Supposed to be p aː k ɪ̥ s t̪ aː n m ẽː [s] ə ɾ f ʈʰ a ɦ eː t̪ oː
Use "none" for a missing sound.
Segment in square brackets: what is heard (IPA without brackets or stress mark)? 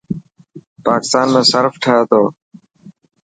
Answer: s